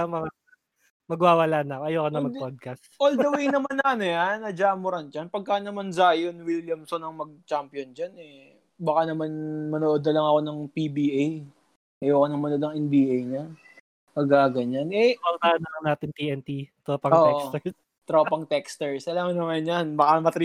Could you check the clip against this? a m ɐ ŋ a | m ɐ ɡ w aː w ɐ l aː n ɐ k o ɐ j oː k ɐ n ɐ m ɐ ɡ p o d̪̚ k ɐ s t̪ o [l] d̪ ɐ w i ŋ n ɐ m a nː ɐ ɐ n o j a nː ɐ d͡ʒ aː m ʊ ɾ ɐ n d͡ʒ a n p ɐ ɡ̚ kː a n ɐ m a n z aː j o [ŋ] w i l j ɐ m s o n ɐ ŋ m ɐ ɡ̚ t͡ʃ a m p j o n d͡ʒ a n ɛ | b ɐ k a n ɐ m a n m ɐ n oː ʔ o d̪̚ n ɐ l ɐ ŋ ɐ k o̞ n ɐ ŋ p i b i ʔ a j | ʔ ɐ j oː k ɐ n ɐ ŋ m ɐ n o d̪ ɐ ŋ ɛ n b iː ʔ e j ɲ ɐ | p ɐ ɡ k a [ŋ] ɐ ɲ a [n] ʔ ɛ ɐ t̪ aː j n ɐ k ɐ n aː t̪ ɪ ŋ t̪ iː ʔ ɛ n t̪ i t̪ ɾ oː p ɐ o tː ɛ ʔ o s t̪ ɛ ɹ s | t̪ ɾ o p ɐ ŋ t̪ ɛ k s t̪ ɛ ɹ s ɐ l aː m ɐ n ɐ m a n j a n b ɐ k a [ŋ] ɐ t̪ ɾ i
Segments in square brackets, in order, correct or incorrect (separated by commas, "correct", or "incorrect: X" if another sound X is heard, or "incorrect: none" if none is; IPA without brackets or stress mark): correct, incorrect: n, incorrect: ɡ, correct, incorrect: m